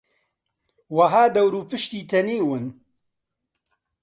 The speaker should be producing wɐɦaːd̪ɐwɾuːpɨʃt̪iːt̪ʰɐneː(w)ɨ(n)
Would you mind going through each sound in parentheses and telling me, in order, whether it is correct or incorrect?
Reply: correct, correct

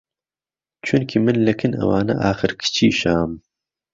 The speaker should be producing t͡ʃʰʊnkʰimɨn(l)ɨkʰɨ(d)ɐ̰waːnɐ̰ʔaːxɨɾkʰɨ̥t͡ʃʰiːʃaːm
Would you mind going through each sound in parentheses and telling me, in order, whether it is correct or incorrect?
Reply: correct, incorrect: n

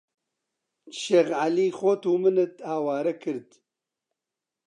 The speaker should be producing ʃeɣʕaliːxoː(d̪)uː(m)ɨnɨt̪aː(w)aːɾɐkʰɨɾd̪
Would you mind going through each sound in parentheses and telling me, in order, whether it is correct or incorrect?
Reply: incorrect: t̪, correct, correct

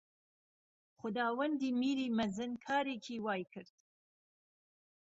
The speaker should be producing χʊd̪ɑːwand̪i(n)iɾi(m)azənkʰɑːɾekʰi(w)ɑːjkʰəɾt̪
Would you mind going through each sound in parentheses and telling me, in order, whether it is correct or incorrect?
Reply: incorrect: m, correct, correct

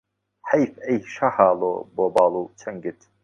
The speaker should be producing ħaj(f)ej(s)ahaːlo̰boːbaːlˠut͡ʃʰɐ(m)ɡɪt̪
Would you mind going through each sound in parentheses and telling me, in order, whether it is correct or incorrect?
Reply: correct, incorrect: ʃ, incorrect: ŋ

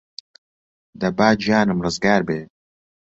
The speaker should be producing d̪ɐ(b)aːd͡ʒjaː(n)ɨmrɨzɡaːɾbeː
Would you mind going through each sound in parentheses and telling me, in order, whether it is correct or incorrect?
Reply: correct, correct

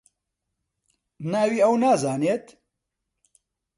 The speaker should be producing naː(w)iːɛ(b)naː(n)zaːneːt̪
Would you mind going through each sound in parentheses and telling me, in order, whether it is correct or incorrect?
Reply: correct, incorrect: w, incorrect: none

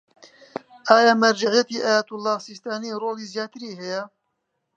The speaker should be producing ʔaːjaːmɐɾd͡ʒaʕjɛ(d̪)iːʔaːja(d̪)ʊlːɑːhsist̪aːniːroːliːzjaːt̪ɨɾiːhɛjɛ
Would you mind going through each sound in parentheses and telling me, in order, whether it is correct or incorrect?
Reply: incorrect: t̪, incorrect: t̪

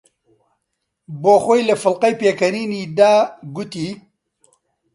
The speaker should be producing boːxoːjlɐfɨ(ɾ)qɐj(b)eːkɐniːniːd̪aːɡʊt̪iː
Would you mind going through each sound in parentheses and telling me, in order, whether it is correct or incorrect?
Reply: incorrect: l, incorrect: p

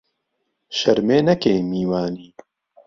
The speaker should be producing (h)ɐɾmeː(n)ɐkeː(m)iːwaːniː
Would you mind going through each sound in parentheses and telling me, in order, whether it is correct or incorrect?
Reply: incorrect: ʃ, correct, correct

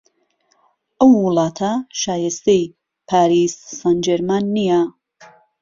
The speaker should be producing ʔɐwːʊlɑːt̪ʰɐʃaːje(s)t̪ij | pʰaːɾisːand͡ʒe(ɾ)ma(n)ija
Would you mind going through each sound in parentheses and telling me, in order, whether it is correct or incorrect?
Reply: correct, correct, incorrect: nː

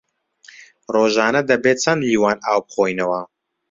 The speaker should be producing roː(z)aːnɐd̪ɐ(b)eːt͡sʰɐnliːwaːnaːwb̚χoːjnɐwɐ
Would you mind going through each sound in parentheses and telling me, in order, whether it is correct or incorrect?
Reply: incorrect: ʒ, correct

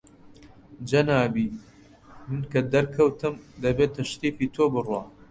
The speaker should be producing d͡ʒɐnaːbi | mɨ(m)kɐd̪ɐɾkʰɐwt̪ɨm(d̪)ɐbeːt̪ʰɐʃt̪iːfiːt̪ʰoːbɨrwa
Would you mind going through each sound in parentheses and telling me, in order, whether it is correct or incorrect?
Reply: incorrect: n, correct

